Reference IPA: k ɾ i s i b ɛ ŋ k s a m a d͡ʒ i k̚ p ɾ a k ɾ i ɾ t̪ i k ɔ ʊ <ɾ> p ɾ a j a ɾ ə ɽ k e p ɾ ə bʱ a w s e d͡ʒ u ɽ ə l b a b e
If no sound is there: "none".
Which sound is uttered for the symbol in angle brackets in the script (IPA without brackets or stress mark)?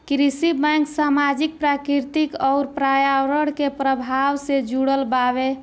ɾ